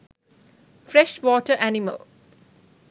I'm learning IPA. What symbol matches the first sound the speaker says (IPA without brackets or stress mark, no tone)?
f